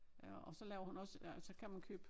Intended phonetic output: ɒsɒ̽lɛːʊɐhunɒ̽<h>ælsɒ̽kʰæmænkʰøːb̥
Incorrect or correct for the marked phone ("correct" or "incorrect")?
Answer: incorrect